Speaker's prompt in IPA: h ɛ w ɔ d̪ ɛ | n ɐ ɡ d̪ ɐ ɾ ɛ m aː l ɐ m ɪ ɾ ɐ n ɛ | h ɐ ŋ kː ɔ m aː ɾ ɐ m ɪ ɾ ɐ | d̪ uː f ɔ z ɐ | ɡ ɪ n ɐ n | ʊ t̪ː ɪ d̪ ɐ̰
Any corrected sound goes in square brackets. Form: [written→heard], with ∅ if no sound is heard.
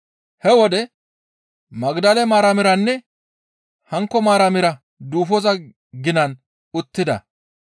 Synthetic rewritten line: h ɛ w ɔ d̪ ɛ | [n→m] ɐ ɡ d̪ ɐ [ɾ→l] ɛ m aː [l→ɾ] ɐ m ɪ ɾ ɐ [n→nː] ɛ | h ɐ ŋ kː ɔ m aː ɾ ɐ m ɪ ɾ ɐ | d̪ uː f ɔ z ɐ | ɡ ɪ n ɐ n | ʊ t̪ː ɪ d̪ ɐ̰